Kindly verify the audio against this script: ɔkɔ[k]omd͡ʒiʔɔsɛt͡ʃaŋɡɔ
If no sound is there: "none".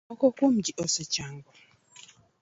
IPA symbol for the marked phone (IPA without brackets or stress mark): k